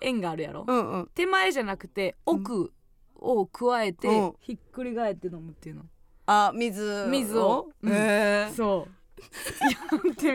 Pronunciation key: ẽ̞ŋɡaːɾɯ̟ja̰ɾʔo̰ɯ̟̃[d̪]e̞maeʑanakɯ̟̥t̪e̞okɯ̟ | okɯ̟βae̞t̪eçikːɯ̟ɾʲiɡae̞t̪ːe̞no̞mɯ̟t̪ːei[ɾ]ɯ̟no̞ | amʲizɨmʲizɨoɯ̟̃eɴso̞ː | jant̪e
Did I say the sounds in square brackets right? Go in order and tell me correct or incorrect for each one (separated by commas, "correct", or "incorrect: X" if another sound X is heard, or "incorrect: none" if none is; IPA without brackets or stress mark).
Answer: incorrect: t̪, incorrect: none